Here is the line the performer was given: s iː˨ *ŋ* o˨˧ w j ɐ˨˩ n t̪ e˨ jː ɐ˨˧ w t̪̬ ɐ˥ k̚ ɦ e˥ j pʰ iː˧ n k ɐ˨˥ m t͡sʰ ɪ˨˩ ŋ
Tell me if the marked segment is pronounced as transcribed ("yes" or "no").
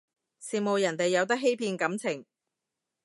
no